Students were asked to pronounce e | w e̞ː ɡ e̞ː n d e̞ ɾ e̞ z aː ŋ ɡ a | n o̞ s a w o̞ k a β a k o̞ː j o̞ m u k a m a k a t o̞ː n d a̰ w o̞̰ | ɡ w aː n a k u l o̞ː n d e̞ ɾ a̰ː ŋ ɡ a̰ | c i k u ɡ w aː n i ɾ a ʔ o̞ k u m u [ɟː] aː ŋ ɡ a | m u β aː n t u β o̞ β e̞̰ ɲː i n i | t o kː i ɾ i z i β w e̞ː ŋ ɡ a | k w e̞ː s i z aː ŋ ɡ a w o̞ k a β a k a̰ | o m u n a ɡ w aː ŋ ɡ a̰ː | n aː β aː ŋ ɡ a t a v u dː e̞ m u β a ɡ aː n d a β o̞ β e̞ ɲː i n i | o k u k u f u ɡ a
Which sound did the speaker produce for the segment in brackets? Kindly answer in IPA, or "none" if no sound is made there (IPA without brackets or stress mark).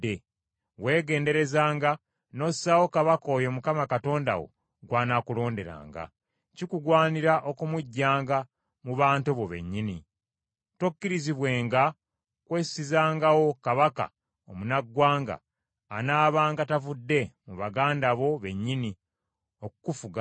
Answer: ɟː